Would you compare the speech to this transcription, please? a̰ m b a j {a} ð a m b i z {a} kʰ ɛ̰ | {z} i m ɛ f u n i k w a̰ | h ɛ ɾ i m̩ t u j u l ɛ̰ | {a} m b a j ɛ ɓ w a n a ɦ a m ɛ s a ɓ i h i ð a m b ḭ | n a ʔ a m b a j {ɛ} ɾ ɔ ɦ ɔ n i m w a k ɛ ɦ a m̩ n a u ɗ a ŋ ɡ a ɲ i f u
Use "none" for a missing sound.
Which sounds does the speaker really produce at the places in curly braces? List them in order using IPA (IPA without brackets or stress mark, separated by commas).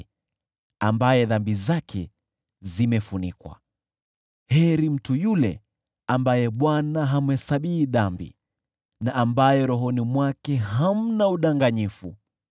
ɛ, a, z, a, ɛ